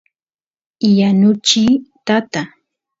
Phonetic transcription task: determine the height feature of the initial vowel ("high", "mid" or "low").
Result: low